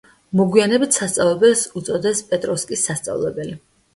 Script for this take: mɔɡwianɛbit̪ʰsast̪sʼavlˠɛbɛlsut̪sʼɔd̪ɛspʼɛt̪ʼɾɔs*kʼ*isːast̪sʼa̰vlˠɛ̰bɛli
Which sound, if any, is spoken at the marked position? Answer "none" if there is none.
kʼ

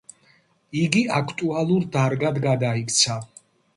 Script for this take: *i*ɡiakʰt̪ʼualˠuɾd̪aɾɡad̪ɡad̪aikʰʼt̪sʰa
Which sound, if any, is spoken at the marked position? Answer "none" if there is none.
i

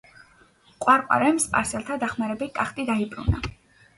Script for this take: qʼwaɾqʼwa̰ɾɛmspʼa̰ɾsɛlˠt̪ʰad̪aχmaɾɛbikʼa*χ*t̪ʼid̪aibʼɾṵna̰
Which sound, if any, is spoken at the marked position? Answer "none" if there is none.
χ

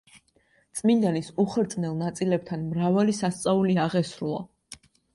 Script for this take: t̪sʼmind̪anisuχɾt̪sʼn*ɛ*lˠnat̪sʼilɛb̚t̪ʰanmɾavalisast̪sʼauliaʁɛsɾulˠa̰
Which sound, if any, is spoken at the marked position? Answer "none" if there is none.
ɛ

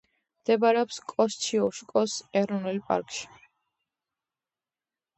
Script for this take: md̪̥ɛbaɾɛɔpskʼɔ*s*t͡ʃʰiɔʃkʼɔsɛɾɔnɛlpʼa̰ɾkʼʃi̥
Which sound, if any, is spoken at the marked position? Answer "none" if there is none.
s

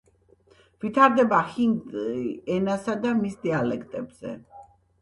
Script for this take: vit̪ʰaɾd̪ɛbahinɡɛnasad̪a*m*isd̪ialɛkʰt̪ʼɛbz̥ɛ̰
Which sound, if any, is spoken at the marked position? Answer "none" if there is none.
m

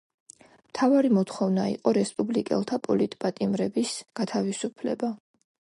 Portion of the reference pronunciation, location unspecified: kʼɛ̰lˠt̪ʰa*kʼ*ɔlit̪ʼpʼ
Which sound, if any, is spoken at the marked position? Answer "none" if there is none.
pʼ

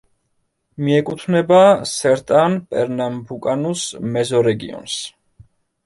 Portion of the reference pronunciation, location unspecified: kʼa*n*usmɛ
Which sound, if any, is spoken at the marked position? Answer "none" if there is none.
n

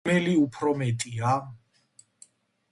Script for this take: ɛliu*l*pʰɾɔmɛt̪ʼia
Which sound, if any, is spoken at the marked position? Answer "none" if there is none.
none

